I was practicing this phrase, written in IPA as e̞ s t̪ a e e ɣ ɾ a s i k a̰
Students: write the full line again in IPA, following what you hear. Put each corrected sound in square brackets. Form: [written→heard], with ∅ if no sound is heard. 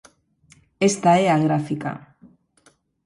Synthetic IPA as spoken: e̞ s t̪ a e [e→a] ɣ ɾ a [s→f] i k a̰